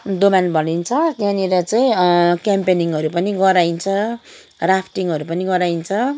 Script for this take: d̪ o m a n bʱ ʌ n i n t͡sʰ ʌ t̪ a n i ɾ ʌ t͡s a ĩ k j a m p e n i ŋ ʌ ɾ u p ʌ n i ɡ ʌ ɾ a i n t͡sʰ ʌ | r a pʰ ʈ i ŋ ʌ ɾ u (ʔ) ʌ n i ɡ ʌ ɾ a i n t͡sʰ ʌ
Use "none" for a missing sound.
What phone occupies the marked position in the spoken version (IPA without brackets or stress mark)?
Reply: p